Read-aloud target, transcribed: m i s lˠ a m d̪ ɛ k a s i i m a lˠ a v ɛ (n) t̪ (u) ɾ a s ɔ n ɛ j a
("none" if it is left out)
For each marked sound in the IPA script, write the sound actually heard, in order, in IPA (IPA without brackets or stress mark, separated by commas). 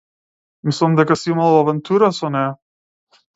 n, u